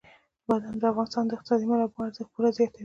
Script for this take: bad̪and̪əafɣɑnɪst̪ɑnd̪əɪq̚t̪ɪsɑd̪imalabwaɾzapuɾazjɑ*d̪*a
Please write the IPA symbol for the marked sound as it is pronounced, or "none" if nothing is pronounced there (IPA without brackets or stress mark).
t̪